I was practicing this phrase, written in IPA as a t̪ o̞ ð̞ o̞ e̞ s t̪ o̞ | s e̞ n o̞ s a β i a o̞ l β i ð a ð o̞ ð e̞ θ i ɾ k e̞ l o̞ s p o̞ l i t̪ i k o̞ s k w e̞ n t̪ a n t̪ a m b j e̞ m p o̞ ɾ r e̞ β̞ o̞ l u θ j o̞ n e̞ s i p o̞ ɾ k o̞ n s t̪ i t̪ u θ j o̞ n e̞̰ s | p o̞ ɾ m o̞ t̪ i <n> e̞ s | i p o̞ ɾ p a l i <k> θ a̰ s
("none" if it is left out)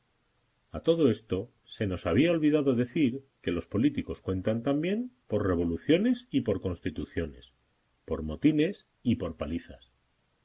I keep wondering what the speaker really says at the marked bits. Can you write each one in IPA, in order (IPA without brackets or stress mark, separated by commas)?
n, none